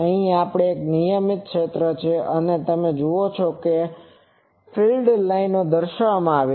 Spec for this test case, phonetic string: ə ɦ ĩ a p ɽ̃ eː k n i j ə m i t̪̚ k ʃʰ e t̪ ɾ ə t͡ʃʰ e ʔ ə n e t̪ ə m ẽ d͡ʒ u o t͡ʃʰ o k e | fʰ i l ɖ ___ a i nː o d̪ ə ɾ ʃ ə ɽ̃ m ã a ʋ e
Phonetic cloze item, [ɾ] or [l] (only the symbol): l